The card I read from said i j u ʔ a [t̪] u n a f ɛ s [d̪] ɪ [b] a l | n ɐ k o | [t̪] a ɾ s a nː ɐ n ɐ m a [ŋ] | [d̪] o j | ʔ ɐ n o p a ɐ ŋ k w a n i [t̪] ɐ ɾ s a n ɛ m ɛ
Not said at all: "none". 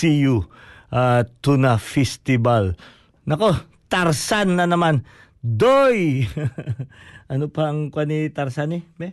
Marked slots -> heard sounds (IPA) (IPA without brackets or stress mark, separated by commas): t̪, t̪, b, t̪, n, d̪, t̪